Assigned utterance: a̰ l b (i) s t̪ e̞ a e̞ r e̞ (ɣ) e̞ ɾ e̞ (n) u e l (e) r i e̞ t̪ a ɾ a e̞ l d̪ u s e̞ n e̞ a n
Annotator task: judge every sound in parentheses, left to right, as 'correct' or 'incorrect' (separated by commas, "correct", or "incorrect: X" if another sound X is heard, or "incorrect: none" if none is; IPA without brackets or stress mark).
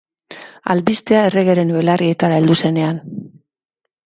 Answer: correct, correct, correct, incorrect: a